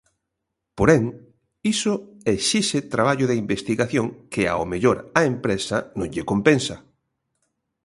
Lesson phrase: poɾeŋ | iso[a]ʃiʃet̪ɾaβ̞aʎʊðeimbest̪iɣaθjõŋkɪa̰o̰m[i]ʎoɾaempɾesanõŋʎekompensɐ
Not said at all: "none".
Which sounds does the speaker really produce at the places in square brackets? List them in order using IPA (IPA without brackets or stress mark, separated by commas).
e, e